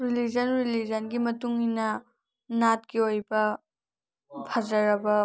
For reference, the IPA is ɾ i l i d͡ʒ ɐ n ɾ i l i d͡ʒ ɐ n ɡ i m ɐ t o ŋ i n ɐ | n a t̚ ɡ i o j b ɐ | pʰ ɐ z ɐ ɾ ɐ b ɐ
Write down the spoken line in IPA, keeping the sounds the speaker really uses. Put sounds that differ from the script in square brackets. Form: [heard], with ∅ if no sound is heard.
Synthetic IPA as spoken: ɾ i l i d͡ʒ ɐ n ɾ i l i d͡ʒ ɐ n ɡ i m ɐ t [u] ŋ i n ɐ | n a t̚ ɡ i o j b ɐ | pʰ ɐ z ɐ ɾ ɐ b ɐ